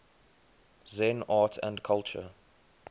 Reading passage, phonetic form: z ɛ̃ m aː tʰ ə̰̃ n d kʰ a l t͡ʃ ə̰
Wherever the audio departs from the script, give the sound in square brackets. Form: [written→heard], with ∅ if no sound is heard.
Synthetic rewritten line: z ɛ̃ [m→n] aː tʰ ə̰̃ n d kʰ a l t͡ʃ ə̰